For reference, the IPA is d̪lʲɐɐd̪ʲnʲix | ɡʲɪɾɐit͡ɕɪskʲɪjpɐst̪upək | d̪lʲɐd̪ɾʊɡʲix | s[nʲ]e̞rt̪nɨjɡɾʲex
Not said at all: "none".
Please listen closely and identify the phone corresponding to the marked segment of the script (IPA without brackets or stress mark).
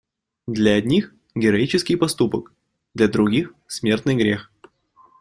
mʲ